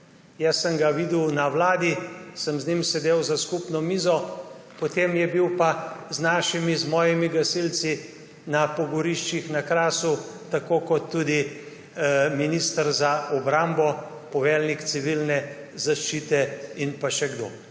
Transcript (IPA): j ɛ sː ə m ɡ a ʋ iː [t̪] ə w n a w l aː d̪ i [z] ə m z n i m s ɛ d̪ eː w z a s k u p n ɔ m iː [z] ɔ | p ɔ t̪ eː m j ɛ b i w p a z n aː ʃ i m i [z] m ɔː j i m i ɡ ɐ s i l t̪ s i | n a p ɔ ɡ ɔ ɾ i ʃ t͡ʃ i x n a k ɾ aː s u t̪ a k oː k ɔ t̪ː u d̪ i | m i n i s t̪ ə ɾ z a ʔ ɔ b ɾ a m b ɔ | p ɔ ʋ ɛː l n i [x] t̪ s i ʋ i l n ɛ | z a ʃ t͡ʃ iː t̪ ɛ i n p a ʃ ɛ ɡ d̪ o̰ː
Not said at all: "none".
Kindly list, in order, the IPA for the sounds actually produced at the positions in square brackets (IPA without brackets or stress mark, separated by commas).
d̪, s, z, z, k